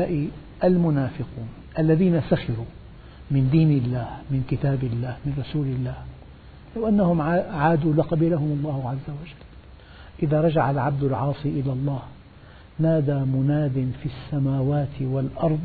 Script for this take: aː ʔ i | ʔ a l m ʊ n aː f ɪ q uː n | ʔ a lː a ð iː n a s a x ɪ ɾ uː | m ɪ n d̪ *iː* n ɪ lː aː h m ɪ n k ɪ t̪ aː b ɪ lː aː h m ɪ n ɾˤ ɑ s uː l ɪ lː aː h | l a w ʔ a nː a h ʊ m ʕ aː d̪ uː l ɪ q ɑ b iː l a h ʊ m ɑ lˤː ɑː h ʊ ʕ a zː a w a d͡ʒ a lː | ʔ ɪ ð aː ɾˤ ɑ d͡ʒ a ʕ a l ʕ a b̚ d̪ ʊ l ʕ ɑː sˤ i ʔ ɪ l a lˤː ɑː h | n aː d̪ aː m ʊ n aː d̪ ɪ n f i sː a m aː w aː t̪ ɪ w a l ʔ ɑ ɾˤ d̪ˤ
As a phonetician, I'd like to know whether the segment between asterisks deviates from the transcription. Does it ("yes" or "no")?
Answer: no